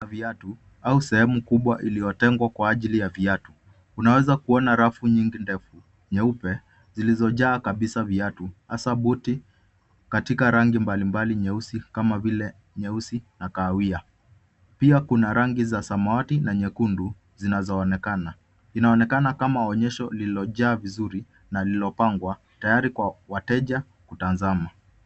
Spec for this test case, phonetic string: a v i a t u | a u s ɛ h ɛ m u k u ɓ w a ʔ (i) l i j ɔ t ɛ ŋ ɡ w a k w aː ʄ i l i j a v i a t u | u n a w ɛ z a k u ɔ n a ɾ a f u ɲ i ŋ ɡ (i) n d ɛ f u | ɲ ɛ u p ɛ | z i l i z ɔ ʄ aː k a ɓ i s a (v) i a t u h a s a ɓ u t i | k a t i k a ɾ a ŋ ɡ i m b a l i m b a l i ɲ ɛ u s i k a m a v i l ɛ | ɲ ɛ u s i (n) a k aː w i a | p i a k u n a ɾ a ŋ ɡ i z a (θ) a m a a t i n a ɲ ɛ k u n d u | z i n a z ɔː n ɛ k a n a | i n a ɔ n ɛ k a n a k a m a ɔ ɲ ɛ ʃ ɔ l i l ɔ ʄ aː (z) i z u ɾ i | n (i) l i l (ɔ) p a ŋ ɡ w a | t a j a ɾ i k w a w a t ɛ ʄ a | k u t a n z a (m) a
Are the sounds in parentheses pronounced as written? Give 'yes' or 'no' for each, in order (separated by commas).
yes, yes, yes, yes, no, no, no, yes, yes